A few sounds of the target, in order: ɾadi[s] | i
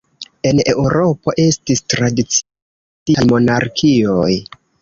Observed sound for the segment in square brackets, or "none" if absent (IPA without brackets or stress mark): t͡s